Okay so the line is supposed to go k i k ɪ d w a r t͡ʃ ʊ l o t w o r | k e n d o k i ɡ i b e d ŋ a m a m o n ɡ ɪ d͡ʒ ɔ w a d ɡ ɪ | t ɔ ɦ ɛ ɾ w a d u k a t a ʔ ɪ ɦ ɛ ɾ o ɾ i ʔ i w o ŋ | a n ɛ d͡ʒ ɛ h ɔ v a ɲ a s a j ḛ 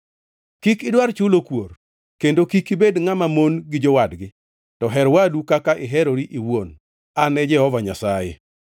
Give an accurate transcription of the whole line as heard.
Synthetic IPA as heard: k i k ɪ d w a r t͡ʃ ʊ l o k w o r | k e n d o k i k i b e d ŋ a m a m o n ɡ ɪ d͡ʒ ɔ w a d ɡ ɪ | t ɔ ɦ ɛ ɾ w a d u k a k a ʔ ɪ ɦ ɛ ɾ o ɾ i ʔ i w o n | a n ɛ d͡ʒ ɛ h ɔ v a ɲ a s a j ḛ